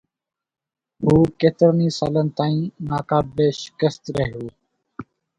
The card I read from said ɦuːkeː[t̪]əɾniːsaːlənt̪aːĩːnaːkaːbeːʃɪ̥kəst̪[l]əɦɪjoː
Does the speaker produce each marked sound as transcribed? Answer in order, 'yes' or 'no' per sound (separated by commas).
yes, no